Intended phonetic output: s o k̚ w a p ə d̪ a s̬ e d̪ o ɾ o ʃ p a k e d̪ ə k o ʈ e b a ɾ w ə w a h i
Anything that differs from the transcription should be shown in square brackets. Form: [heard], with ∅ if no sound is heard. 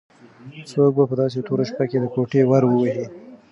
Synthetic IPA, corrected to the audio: s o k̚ [b] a p ə d̪ [ɑ] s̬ e [t̪] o ɾ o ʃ p a k e d̪ ə k o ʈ e [w] a ɾ w ə w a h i